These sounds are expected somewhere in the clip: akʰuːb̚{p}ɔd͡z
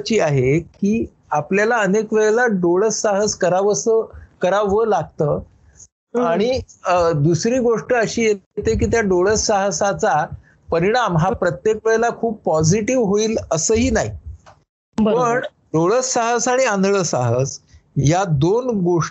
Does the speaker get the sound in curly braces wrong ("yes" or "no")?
no